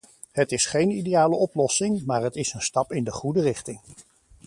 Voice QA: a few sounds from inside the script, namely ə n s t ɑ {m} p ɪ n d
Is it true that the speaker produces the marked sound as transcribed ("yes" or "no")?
no